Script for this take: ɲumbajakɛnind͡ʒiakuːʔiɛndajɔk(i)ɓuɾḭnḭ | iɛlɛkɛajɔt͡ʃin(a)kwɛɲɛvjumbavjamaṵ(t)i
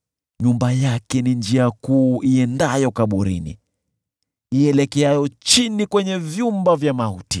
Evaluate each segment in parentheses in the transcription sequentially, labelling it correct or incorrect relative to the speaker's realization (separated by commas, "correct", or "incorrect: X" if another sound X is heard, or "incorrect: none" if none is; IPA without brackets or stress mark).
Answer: incorrect: a, incorrect: i, correct